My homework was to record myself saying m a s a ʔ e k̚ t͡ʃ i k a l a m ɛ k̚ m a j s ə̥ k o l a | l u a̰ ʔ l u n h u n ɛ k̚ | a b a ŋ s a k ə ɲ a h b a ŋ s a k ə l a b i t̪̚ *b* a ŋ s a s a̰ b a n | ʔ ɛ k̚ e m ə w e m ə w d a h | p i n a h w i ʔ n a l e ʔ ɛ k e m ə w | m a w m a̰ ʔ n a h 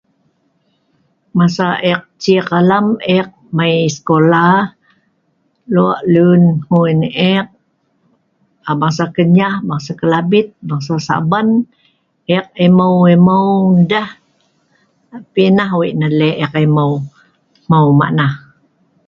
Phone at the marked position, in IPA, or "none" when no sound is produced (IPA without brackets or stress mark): b